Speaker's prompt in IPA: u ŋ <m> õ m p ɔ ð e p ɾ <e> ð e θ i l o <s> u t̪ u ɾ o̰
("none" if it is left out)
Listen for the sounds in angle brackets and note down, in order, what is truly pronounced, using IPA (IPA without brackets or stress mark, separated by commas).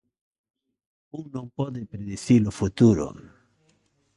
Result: n, e, f